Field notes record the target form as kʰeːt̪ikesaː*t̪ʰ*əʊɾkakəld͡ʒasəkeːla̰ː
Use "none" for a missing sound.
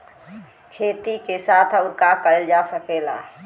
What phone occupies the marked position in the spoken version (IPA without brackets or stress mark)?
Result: t̪ʰ